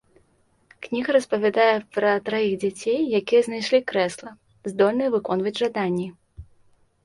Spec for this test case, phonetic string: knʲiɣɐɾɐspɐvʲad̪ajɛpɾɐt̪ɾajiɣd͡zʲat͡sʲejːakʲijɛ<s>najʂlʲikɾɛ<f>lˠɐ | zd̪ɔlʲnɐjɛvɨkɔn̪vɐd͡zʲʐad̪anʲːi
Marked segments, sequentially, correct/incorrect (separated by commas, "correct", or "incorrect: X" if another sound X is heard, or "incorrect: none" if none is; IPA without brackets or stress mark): incorrect: z, incorrect: s